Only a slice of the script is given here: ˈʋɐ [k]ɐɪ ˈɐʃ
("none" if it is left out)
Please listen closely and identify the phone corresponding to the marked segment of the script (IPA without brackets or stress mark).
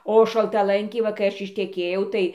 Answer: k